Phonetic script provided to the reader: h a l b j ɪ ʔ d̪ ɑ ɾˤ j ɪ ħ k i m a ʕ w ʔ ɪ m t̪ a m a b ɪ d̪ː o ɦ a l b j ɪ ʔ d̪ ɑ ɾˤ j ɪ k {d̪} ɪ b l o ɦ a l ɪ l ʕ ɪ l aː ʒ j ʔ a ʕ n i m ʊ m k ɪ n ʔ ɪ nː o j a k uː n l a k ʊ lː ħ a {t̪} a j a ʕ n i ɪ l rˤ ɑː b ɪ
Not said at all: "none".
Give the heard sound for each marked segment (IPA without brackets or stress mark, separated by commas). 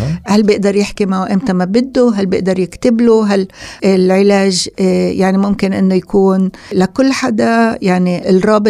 t̪, d̪